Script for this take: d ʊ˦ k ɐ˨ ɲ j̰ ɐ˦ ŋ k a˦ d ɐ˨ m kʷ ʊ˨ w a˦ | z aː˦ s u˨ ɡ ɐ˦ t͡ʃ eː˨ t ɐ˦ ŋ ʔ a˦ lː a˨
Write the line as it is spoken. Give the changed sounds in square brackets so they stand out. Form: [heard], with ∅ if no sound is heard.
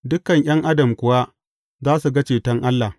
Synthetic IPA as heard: d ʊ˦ k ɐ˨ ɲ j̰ ɐ˦ ŋ [ʔ] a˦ d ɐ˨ m kʷ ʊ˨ w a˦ | z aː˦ s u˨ ɡ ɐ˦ t͡ʃ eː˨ t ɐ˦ ŋ ʔ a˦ lː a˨